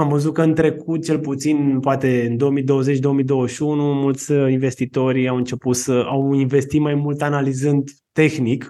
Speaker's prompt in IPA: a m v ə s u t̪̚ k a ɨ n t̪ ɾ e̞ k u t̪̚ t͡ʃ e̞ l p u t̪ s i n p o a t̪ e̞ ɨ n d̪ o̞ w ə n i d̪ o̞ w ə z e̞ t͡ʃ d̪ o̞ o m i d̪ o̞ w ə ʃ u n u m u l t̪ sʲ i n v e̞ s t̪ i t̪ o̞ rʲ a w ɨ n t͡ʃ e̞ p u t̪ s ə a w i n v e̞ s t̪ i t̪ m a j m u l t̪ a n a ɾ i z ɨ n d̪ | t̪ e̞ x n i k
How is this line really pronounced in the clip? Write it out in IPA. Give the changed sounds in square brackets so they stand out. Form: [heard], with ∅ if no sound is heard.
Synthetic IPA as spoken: a m v ə [z] u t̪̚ k [ə] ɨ n t̪ ɾ e̞ k u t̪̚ t͡ʃ e̞ l p u t̪ s i n p o a t̪ e̞ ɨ n d̪ o̞ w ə [m] i d̪ o̞ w ə z e̞ t͡ʃ d̪ o̞ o m i d̪ o̞ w ə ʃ u n u m u l t̪ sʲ i n v e̞ s t̪ i t̪ o̞ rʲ a w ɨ n t͡ʃ e̞ p u t̪ s ə a w i n v e̞ s t̪ i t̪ m a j m u l t̪ a n a [l] i z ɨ n d̪ | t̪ e̞ x n i k